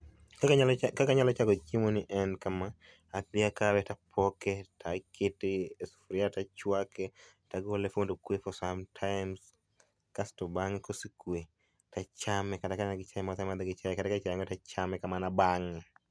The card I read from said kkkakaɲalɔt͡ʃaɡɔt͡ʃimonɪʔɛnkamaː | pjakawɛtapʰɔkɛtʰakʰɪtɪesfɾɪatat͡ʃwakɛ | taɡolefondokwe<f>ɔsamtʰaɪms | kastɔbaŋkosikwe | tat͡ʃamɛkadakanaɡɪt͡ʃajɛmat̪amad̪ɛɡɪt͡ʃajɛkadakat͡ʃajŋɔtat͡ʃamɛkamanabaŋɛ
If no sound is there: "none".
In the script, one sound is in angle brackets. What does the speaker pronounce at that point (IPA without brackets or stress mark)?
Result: f